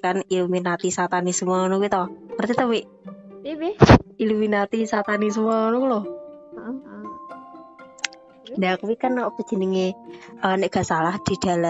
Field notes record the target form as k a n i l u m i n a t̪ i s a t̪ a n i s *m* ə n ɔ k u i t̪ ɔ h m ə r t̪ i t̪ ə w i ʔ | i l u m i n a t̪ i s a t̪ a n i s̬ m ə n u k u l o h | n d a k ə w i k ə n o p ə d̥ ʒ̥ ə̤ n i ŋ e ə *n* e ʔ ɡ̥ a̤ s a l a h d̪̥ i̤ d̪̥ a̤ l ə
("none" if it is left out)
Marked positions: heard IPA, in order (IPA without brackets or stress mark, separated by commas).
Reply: m, n